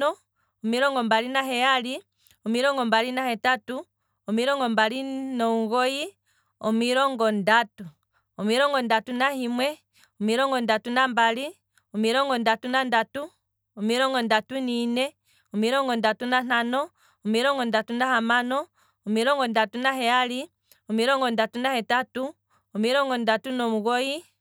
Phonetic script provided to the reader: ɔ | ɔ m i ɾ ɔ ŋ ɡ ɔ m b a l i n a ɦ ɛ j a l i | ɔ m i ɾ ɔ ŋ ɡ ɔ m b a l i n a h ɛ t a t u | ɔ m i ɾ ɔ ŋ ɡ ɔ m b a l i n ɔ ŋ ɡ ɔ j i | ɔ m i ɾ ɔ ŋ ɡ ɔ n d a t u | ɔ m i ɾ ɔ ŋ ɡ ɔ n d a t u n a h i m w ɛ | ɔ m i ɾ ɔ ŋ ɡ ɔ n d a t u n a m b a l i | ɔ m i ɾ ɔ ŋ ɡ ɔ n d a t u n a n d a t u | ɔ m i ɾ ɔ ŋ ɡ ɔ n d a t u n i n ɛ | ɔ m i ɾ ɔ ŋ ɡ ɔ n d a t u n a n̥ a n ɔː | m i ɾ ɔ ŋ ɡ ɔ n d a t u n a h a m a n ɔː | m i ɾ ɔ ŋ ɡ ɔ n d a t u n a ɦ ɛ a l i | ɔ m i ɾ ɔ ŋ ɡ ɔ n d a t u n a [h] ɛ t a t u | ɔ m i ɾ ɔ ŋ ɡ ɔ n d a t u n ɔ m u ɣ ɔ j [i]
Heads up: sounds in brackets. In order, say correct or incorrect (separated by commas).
correct, correct